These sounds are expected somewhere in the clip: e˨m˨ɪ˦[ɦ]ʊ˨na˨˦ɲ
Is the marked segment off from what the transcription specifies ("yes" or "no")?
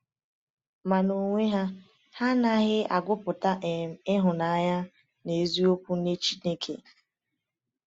no